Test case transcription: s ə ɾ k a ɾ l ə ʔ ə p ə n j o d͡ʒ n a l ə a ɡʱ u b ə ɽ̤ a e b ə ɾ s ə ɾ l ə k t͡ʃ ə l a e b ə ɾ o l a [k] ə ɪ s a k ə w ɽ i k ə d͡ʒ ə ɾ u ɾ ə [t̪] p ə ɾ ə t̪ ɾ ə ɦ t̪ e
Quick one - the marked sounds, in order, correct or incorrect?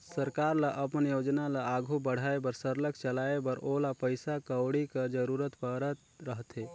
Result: incorrect, correct

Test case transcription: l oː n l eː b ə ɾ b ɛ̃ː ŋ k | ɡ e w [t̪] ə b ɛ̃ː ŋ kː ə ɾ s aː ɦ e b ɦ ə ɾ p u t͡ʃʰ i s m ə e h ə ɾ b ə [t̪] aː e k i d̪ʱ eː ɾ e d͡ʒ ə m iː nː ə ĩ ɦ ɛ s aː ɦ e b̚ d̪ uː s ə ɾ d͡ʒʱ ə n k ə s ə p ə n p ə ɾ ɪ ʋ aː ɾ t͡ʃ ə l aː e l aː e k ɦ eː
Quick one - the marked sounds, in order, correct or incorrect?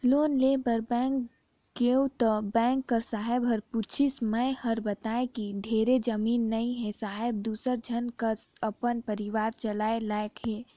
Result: correct, correct

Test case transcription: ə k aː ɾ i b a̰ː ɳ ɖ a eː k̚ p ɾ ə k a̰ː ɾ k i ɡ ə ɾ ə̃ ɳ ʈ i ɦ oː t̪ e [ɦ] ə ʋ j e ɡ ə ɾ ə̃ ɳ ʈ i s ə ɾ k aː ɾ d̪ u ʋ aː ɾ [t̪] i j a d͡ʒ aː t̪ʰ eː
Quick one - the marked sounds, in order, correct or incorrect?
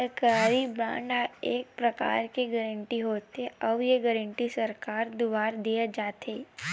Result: incorrect, incorrect

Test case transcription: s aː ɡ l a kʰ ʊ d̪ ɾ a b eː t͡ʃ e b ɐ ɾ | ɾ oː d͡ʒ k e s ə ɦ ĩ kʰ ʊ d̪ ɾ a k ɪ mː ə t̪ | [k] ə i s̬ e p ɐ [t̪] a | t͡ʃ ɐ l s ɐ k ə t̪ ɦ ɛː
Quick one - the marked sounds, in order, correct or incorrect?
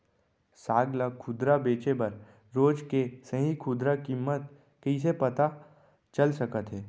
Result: correct, correct

